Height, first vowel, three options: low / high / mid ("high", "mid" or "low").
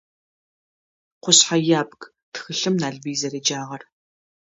high